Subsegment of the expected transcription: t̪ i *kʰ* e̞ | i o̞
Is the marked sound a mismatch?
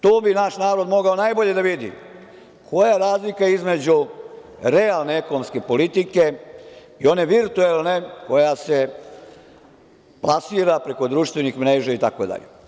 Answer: yes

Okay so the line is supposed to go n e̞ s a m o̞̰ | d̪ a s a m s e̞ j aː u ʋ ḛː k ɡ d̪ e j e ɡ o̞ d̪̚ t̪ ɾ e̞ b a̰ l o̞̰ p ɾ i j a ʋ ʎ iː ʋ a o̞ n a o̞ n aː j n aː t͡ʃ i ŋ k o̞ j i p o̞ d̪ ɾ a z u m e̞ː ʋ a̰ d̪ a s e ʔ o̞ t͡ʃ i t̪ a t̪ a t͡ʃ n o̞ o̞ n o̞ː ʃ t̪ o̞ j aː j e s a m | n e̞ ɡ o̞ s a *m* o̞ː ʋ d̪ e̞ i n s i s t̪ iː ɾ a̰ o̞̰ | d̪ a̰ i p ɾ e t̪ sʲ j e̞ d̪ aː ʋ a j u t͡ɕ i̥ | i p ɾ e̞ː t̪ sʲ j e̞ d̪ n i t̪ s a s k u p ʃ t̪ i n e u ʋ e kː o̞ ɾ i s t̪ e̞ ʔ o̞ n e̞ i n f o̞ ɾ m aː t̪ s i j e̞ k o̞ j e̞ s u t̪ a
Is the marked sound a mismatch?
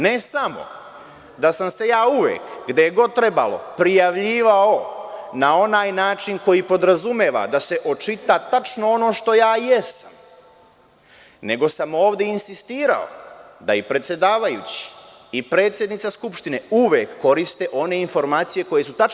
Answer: no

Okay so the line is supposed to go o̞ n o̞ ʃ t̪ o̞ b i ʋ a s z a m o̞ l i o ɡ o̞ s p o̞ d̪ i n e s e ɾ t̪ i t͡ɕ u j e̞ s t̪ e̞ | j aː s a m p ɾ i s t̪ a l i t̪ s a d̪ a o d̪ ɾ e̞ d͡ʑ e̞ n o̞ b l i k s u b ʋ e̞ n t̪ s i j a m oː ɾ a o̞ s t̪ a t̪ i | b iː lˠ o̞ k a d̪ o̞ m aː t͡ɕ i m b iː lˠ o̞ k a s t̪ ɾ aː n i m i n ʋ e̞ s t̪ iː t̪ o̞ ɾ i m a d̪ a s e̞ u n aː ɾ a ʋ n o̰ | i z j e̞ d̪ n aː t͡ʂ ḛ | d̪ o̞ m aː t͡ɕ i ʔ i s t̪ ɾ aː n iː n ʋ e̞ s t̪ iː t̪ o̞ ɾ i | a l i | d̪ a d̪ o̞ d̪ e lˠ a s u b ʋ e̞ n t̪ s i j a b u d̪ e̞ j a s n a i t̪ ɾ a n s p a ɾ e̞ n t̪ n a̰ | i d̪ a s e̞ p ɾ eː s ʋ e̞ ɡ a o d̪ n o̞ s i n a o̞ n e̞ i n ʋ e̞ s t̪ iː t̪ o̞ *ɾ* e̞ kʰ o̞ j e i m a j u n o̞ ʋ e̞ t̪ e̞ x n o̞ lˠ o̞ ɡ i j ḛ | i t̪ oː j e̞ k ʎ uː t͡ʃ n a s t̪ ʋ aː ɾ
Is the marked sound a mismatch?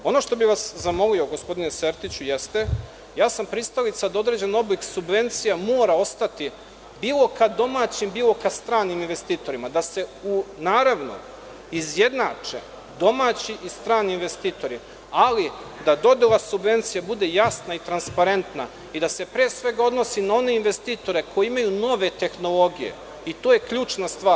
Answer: no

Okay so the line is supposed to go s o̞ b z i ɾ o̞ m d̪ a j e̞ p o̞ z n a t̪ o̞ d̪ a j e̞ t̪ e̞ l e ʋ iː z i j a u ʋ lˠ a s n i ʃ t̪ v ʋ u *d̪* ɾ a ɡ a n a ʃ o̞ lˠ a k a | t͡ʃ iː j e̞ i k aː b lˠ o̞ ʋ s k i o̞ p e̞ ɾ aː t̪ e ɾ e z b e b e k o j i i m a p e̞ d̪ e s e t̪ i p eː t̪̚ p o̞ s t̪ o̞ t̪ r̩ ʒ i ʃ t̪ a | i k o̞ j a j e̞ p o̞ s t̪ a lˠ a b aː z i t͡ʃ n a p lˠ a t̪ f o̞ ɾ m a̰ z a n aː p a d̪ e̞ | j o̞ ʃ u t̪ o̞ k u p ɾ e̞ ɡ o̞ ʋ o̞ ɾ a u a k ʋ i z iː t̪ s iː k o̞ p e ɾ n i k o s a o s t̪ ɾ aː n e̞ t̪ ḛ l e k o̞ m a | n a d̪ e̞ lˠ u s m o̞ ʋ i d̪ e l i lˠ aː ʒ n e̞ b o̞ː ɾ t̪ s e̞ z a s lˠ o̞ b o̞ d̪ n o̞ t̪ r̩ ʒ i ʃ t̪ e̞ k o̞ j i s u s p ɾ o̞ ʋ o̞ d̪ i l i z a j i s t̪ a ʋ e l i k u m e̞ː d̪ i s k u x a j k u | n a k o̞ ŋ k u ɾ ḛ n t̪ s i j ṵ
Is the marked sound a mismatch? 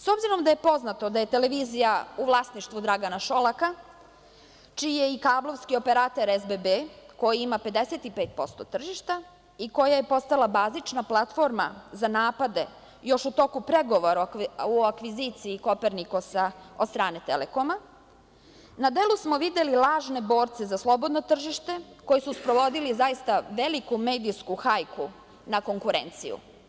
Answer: no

